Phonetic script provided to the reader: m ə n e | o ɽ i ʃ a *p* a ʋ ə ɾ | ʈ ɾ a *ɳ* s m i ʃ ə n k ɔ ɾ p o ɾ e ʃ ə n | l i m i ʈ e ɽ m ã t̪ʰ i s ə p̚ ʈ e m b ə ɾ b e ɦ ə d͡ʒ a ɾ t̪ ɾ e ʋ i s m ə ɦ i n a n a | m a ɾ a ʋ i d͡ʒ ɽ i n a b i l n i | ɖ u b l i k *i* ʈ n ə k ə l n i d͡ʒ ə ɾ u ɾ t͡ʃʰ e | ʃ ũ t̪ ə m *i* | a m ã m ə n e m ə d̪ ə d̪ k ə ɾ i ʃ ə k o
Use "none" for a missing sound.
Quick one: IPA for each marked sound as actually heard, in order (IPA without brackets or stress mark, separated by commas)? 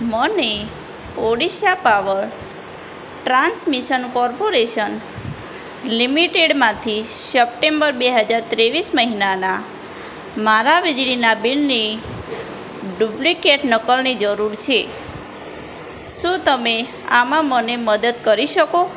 p, n, e, e